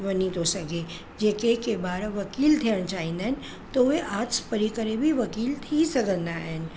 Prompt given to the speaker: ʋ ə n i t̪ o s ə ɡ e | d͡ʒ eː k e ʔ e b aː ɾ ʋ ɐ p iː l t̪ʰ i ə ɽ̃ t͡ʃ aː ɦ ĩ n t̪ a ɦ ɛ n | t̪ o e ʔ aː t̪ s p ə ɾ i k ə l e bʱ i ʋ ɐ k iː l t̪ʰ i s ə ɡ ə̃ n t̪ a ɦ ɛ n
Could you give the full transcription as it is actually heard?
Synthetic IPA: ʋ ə n i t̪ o s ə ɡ e | d͡ʒ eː k e k e b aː ɾ ʋ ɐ k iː l t̪ʰ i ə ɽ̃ t͡ʃ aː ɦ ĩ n d̪ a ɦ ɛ n | t̪ o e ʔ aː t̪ s p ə ɾ i k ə ɾ e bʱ i ʋ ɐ k iː l t̪ʰ i s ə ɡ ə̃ n d̪ a ɦ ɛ n

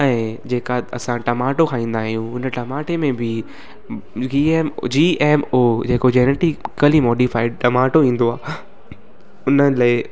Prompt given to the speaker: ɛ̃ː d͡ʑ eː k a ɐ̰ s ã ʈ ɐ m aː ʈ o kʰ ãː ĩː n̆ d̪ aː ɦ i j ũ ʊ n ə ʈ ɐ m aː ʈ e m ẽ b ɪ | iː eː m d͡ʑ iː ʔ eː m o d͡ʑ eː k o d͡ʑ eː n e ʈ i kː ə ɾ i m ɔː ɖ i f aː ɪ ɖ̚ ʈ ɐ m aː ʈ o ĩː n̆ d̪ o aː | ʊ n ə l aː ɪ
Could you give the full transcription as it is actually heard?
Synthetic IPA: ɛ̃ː d͡ʑ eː k a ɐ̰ s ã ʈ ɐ m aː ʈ o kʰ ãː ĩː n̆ d̪ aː ɦ i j ũ ʊ n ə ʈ ɐ m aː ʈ e m ẽ b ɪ | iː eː m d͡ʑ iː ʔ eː m o d͡ʑ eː k o d͡ʑ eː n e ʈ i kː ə l i m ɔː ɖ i f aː ɪ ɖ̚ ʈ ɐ m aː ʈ o ĩː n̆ d̪ o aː | ʊ n ə l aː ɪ

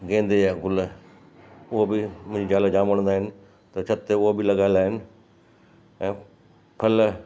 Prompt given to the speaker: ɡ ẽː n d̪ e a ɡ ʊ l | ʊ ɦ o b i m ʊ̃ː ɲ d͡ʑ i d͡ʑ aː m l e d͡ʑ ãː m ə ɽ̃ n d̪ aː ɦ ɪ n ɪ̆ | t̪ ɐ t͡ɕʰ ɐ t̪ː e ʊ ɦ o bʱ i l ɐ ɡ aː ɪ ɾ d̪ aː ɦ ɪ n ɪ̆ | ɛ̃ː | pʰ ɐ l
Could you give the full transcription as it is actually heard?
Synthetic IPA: ɡ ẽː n d̪ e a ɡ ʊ l | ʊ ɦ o b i m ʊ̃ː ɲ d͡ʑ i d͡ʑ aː l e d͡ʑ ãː m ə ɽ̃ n d̪ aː ɦ ɪ n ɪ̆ | t̪ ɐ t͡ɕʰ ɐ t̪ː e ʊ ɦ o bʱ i l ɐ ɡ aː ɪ l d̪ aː ɦ ɪ n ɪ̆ | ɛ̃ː | pʰ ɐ l

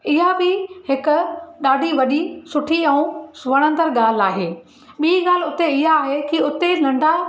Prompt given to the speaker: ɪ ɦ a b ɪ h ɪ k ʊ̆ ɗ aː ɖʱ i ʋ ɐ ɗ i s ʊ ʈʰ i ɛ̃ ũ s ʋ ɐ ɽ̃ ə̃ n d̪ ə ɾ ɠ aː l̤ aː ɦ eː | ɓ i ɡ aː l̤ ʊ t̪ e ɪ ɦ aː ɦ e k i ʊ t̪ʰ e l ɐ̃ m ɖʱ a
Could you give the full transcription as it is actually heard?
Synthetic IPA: ɪ ɦ a b ɪ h ɪ k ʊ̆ ɗ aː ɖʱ i ʋ ɐ ɗ i s ʊ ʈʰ i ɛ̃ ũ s ʋ ɐ ɽ̃ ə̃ n d̪ ə ɾ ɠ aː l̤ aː ɦ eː | ɓ i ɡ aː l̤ ʊ t̪ e ɪ ɦ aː ɦ e k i ʊ t̪ e l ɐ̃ ɳ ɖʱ a

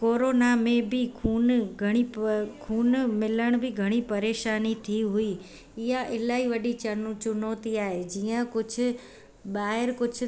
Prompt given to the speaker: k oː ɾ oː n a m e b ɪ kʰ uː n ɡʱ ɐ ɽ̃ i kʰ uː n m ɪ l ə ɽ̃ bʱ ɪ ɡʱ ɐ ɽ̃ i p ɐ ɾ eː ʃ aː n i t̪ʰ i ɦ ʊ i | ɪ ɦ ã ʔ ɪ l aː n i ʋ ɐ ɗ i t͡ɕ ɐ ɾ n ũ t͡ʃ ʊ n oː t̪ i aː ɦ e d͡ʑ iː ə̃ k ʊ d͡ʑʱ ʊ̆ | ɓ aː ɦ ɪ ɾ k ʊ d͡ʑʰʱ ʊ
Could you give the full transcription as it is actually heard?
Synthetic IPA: k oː ɾ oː n a m ẽ b ɪ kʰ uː n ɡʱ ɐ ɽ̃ i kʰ uː n m ɪ l ə ɽ̃ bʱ ɪ ɡʱ ɐ ɽ̃ i p ɐ ɾ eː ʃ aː n i t̪ʰ i ɦ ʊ i | ɪ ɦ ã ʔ ɪ l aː i ʋ ɐ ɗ i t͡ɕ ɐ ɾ n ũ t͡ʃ ʊ n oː t̪ i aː ɦ e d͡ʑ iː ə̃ k ʊ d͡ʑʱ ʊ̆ | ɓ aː ɦ ɪ ɾ k ʊ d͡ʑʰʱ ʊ

